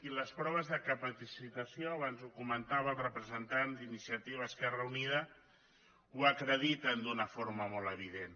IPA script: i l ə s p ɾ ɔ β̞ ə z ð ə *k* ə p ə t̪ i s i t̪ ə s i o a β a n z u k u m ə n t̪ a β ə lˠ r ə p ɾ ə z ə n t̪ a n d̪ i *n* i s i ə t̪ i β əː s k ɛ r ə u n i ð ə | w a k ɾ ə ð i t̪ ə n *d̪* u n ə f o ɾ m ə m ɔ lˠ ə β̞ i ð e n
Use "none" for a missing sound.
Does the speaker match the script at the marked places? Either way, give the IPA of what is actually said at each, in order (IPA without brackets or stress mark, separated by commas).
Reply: k, n, d̪